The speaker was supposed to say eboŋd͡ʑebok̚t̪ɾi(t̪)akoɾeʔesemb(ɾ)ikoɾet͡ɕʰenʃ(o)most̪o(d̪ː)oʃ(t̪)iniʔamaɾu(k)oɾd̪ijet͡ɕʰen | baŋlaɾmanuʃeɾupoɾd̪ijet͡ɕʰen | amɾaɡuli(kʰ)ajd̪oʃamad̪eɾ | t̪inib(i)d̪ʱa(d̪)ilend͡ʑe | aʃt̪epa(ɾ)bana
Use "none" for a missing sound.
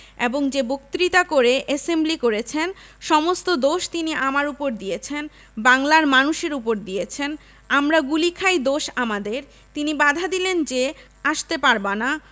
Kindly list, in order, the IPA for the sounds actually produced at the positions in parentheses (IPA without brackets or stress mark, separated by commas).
t̪, l, ɔ, d̪, t̪, p, kʰ, a, d̪, ɾ